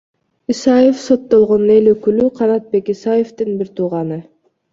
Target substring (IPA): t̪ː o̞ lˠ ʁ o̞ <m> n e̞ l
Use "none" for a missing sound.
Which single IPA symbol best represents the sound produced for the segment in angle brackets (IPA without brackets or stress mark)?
n